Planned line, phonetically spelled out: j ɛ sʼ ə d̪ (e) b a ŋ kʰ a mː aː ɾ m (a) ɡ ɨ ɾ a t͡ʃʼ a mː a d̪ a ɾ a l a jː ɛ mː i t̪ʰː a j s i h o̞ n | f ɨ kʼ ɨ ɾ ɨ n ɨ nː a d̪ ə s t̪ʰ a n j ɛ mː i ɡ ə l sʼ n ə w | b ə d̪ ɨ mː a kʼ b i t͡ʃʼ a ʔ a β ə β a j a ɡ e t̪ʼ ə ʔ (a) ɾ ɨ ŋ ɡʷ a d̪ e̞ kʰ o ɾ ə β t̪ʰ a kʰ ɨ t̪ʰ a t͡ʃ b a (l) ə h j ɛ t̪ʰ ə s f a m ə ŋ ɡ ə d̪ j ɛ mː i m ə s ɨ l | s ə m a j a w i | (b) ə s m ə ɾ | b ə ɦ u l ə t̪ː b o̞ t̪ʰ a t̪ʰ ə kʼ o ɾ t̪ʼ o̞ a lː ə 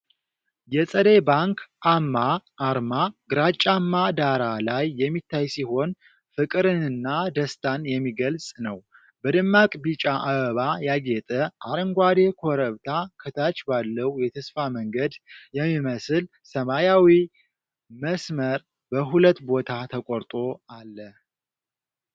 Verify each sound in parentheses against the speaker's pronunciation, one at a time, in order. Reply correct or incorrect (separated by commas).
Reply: correct, correct, correct, incorrect, incorrect